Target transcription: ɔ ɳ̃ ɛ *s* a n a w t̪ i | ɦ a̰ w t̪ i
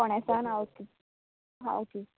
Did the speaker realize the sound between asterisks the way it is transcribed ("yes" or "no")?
yes